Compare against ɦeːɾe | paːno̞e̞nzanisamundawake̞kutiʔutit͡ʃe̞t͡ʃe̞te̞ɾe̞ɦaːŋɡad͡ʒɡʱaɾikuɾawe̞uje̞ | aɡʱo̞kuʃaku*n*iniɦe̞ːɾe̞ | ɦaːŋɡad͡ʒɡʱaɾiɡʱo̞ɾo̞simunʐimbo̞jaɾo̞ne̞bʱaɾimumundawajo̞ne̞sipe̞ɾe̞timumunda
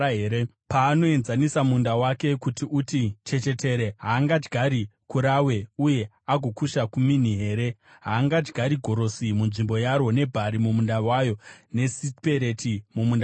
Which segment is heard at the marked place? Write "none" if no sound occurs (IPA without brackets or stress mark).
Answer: m